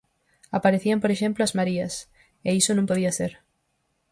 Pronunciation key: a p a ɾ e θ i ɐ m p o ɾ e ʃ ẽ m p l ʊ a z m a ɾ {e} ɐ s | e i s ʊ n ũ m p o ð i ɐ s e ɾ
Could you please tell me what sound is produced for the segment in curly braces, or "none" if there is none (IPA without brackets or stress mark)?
i